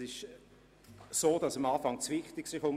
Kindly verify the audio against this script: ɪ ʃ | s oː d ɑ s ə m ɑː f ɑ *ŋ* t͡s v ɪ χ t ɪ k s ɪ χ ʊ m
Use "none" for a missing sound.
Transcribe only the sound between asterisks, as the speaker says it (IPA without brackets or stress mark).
ŋ